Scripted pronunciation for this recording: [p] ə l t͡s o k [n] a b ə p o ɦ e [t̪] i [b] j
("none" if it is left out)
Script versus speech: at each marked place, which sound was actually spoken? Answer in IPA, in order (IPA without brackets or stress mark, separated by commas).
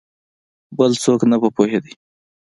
b, n, d̪, none